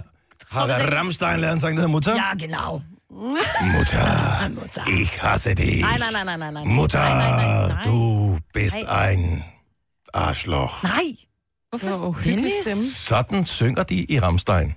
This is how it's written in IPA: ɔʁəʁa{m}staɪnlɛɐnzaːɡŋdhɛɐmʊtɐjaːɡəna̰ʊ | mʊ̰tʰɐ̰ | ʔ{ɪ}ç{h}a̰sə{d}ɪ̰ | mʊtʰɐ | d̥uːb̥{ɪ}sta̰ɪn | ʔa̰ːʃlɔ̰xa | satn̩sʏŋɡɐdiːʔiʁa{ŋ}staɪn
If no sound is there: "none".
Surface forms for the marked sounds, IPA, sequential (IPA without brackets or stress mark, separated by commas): m, ɪ, h, d, ɪ, m